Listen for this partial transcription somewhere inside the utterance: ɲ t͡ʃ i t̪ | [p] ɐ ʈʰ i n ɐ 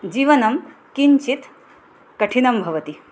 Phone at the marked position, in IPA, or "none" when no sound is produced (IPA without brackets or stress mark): k